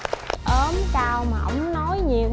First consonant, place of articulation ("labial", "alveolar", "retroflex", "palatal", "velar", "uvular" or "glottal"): glottal